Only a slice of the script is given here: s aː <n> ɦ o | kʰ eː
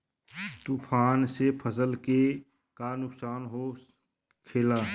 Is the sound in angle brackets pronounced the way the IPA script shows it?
yes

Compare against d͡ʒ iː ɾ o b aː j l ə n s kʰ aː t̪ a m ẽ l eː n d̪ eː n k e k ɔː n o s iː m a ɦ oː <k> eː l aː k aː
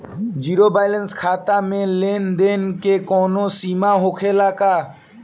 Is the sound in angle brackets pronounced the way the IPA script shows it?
no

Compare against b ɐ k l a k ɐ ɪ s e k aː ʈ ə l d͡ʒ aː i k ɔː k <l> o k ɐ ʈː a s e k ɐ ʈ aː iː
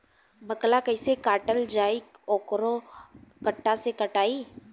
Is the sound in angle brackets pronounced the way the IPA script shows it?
no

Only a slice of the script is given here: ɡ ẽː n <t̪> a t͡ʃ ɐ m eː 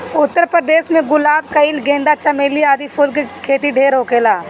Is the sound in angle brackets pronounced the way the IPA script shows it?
no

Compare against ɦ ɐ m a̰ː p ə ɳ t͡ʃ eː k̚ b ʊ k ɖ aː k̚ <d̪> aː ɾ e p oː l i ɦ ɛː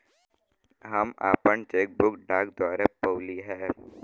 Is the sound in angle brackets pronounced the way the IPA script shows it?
yes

